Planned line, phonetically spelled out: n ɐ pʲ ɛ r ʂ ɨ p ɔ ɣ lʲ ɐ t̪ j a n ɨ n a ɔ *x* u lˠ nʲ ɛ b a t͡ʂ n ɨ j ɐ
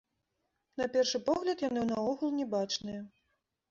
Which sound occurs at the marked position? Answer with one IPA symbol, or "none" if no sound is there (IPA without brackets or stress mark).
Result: ɣ